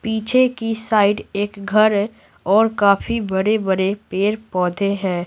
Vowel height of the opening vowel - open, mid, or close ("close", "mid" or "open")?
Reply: close